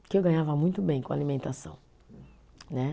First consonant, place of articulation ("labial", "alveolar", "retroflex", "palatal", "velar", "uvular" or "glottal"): velar